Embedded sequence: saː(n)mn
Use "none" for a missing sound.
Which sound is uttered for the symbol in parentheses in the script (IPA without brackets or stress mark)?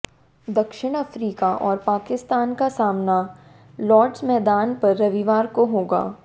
none